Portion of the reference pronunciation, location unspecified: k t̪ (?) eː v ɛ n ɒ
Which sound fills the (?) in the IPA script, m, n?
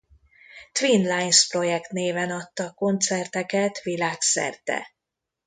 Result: n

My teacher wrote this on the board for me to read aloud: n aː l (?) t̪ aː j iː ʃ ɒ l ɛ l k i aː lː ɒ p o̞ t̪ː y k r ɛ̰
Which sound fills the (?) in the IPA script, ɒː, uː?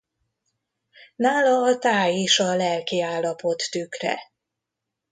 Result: ɒː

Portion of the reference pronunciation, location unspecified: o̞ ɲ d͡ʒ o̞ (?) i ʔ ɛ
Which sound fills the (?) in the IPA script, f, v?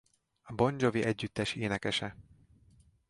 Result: v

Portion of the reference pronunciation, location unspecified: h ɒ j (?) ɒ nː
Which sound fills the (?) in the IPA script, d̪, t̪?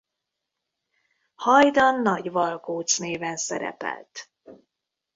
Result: d̪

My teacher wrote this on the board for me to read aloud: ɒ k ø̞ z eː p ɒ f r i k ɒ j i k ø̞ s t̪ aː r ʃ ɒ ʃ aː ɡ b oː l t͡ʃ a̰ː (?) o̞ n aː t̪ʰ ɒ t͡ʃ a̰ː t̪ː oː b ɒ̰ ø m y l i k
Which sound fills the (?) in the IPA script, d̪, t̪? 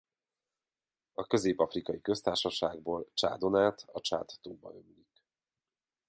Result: d̪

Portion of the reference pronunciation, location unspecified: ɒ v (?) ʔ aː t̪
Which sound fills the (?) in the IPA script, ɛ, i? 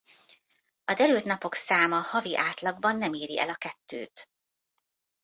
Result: i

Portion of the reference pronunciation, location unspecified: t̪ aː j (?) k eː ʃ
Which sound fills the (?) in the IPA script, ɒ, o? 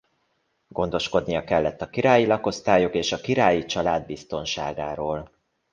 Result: o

